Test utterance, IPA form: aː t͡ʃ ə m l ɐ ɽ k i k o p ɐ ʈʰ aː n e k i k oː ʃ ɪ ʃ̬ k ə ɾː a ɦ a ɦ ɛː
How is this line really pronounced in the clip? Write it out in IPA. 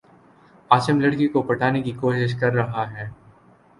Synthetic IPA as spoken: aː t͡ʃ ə m l ɐ ɽ k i k o p ɐ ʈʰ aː n e k i k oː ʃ ɪ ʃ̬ k ɐ ɾː ɐ ɦ a ɦ ɛː